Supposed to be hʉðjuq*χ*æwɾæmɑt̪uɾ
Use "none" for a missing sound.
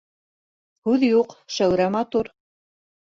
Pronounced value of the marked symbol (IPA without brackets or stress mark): ʃ